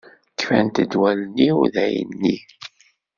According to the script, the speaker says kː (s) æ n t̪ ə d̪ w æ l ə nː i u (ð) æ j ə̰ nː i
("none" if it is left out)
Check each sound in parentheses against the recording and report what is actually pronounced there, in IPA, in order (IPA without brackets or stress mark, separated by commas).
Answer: f, ð